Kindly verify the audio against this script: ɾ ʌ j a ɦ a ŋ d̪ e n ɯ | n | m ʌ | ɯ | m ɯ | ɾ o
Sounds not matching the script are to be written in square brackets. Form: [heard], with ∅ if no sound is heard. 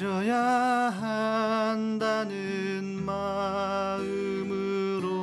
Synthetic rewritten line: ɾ ʌ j a ɦ a [n] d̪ [a] n ɯ | n | m [a] | ɯ | m ɯ | ɾ o